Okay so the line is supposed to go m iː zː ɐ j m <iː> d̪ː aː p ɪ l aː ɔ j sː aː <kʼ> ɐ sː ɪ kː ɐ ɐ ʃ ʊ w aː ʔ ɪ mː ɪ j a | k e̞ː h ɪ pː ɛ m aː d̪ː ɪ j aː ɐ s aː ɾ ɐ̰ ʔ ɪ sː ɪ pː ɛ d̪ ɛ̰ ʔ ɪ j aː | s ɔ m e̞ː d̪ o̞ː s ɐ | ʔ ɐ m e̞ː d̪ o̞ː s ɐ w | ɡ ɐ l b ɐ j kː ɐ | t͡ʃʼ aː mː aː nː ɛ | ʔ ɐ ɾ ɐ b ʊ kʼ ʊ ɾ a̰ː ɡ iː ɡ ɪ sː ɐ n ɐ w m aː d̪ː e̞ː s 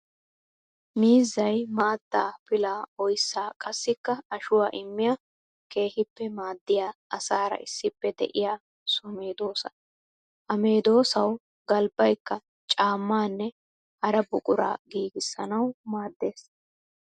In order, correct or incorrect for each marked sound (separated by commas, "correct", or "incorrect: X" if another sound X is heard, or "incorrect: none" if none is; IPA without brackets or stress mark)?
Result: incorrect: aː, correct